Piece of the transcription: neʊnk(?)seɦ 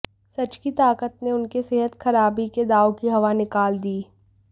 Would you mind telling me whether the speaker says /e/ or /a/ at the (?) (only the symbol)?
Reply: e